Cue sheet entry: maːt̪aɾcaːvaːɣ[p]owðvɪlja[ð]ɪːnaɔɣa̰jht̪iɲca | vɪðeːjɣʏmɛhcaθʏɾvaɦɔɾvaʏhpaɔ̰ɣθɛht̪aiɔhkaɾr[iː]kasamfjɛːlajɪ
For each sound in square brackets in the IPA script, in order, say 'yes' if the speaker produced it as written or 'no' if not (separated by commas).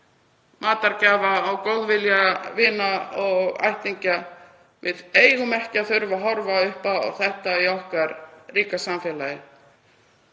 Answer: no, no, yes